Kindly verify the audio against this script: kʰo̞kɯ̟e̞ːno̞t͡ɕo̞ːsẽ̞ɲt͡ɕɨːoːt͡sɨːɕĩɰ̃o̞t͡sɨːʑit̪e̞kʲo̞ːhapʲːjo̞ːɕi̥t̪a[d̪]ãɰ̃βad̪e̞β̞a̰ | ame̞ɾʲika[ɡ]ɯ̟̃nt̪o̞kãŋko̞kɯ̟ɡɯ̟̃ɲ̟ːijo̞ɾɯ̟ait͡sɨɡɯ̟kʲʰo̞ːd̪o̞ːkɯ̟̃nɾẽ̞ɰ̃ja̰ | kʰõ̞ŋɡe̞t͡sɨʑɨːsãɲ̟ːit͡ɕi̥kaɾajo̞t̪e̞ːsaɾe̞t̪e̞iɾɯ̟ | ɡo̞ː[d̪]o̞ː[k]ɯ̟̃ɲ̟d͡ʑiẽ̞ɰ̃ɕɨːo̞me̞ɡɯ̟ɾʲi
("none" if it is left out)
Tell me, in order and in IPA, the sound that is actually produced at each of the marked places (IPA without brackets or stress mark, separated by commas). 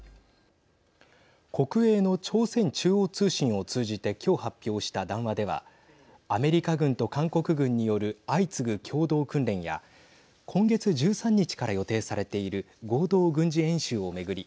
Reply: d̪, ɡ, d̪, ɡ